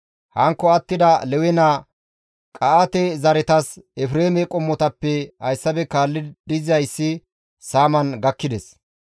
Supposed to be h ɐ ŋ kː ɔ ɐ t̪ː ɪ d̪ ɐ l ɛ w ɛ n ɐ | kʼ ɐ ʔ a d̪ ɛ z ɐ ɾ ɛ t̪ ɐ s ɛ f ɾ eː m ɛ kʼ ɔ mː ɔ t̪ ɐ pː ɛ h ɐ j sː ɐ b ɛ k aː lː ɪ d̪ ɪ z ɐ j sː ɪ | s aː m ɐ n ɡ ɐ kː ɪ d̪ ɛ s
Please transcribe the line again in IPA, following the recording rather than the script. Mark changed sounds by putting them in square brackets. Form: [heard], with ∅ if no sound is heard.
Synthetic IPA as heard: h ɐ ŋ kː ɔ ɐ t̪ː ɪ d̪ ɐ l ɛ w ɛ n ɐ | kʼ ɐ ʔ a [t̪] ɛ z ɐ ɾ ɛ t̪ ɐ s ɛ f ɾ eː m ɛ kʼ ɔ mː ɔ t̪ ɐ pː ɛ h ɐ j sː ɐ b ɛ k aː lː ɪ d̪ ɪ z ɐ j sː ɪ | s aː m ɐ n ɡ ɐ kː ɪ d̪ ɛ s